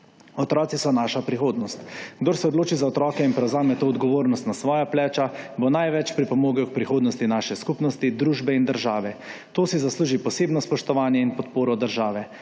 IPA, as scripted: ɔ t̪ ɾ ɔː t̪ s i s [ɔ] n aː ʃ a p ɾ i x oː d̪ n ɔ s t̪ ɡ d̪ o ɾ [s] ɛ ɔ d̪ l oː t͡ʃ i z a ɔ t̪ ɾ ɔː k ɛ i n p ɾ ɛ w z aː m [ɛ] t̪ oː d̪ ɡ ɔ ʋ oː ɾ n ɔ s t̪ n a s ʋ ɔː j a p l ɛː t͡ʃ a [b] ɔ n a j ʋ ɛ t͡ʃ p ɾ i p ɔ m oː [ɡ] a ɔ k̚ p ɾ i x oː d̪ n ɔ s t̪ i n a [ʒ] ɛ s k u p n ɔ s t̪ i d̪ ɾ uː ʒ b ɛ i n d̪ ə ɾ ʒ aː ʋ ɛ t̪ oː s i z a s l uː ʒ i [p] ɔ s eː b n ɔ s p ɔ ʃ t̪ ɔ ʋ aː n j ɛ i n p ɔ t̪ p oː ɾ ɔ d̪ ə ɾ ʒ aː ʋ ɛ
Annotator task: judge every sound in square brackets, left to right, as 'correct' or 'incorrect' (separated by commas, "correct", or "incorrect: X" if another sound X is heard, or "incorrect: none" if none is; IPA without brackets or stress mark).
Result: correct, correct, correct, correct, correct, incorrect: ʃ, correct